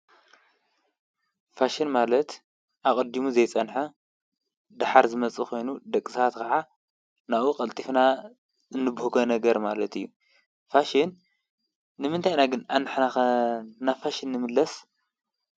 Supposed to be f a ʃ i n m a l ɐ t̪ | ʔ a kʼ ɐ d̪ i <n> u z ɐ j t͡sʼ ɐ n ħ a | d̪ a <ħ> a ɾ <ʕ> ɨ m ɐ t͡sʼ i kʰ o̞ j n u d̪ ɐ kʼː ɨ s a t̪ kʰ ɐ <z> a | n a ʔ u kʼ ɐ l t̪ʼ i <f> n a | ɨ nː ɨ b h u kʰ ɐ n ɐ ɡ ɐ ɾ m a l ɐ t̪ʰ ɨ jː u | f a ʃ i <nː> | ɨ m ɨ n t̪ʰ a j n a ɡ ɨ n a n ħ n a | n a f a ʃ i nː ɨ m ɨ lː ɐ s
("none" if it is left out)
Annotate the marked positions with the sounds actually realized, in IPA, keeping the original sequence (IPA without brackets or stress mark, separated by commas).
m, ħ, z, ʕ, f, nː